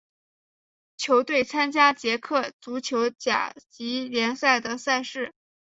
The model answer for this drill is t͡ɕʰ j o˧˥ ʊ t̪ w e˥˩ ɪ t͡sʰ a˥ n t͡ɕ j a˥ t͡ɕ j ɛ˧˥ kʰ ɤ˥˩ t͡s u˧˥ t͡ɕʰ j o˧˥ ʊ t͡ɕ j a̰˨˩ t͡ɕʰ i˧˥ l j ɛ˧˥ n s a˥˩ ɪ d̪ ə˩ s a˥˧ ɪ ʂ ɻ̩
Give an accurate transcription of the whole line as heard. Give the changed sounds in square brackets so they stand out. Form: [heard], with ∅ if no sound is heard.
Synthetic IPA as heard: t͡ɕʰ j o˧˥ ʊ t̪ w e˥˩ ɪ t͡sʰ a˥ n t͡ɕ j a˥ t͡ɕ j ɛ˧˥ kʰ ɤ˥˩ t͡s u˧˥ t͡ɕʰ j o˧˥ ʊ t͡ɕ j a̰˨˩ [t͡ɕ] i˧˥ l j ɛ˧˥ n s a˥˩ ɪ d̪ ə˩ s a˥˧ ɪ ʂ ɻ̩